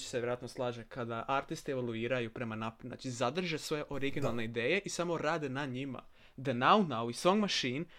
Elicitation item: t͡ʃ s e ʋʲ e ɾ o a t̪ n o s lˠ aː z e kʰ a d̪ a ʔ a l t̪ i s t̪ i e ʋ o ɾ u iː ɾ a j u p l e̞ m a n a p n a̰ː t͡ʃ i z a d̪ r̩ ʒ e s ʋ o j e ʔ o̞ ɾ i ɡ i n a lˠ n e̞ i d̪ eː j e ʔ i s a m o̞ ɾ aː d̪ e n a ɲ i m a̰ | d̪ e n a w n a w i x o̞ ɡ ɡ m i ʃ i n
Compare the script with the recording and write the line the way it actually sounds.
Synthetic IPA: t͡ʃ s e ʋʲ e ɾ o a t̪ n o s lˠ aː ʒ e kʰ a d̪ a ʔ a ɾ t̪ i s t̪ i e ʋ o l u iː ɾ a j u p ɾ e̞ m a n a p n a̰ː t͡ʃ i z a d̪ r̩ ʒ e s ʋ o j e ʔ o̞ ɾ i ɡ i n a lˠ n e̞ i d̪ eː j e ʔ i s a m o̞ ɾ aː d̪ e n a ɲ i m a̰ | d̪ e n a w n a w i s o̞ ŋ ɡ m a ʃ i n